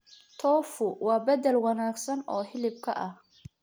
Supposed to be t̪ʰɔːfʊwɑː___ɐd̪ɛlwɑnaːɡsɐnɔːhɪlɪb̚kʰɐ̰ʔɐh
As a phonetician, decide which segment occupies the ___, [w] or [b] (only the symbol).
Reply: b